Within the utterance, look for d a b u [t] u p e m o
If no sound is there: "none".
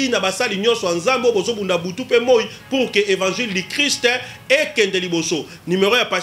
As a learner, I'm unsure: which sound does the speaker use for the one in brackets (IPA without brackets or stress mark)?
t